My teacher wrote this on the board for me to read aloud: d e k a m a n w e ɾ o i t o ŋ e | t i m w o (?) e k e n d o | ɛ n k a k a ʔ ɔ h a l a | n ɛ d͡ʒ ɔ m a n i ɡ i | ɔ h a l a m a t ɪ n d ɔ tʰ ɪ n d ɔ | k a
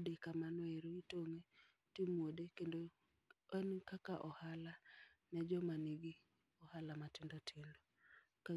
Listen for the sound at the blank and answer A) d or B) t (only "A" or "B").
A